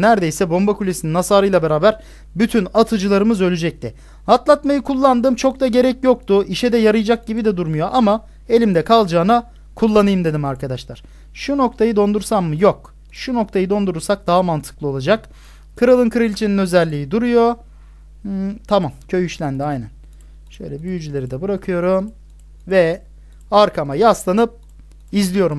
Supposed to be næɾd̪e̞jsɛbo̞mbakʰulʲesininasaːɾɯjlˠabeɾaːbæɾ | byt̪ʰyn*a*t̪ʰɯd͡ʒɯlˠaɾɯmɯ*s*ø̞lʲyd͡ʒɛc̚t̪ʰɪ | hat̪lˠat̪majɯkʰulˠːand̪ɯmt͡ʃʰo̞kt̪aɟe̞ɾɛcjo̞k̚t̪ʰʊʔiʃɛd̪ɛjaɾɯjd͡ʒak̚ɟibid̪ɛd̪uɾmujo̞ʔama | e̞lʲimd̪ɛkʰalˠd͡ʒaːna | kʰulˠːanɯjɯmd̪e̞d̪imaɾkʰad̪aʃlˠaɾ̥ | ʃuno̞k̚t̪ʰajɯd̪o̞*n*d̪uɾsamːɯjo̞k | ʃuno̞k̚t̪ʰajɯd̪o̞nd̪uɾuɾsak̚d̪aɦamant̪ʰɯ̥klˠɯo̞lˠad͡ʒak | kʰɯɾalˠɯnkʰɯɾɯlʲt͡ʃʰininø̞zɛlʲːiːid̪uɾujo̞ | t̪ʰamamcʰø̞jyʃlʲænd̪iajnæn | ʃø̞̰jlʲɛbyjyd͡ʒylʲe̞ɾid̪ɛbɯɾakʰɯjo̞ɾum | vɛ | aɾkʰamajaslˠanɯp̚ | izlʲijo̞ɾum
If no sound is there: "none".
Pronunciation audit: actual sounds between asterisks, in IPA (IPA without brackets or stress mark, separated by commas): a, z, n